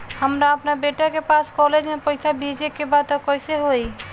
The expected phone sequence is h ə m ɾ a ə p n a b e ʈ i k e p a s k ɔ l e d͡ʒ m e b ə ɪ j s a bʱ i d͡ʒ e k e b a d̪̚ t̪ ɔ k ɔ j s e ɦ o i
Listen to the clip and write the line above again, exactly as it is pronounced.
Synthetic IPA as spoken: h ə m ɾ a ə p n a b e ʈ a k e p a s k ɔ l e d͡ʒ m e p ə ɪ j s a bʱ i d͡ʒ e k e b a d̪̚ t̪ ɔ k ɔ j s e ɦ o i